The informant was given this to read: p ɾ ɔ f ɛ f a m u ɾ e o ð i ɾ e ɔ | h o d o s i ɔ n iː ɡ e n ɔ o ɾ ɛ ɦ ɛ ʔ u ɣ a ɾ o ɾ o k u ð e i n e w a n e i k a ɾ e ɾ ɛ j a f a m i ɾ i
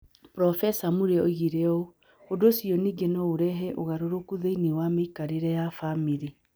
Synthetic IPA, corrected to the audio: p ɾ ɔ f ɛ s a m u ɾ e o ɣ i ɾ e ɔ | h o d o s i ɔ n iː ɡ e n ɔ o ɾ ɛ ɦ ɛ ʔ o ɣ a ɾ o ɾ o k u ð e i n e w a m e i k a ɾ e ɾ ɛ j a f a m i ɾ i